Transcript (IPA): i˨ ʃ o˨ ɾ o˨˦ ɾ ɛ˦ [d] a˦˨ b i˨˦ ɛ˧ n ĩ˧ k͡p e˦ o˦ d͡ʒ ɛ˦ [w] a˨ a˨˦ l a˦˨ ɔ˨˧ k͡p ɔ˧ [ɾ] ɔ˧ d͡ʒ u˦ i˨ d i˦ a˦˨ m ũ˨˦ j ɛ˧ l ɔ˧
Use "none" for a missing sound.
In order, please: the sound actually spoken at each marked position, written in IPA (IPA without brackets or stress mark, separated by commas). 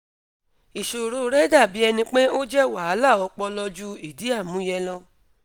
d, w, l